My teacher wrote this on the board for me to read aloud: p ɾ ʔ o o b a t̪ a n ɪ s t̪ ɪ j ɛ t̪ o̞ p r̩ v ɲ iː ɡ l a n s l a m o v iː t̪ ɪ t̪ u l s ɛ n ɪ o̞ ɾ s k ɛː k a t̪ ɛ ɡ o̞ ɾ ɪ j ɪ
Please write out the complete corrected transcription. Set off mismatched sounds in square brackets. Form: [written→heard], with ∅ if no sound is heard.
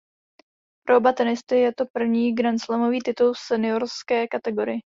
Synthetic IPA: p ɾ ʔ o o b a t̪ [a→ɛ] n ɪ s t̪ ɪ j ɛ t̪ o̞ p r̩ v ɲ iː ɡ [l→ɾ] a n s l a m o v iː t̪ ɪ t̪ u l s ɛ n ɪ o̞ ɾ s k ɛː k a t̪ ɛ ɡ o̞ ɾ ɪ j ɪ